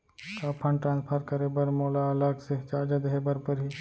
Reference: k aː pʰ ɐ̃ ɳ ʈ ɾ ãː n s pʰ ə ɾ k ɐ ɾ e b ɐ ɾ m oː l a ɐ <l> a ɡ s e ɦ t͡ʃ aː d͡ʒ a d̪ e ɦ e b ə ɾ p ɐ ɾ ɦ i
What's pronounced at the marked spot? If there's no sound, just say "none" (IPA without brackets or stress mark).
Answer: l